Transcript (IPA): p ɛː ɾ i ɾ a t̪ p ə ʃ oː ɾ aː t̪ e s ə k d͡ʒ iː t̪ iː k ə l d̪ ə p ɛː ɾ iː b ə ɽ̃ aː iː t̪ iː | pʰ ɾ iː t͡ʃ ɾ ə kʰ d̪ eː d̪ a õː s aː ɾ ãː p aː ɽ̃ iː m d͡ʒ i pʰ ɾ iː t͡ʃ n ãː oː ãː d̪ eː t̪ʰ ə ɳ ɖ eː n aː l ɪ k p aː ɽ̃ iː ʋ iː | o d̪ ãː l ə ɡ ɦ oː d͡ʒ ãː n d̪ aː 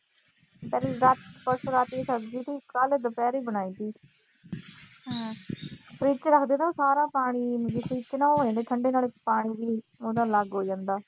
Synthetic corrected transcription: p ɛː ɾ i ɾ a t̪ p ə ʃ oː ɾ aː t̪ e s ə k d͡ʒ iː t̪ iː k ə l d̪ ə p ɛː ɾ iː b ə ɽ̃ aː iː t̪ iː | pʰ ɾ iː t͡ʃ ɾ ə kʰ d̪ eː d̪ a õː s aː ɾ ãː p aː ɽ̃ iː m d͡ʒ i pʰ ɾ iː t͡ʃ n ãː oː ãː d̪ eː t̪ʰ ə ɳ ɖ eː n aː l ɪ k p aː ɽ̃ iː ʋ iː | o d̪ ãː l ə ɡ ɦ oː d͡ʒ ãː n d̪ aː